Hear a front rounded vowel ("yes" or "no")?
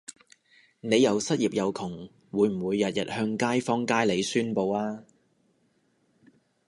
yes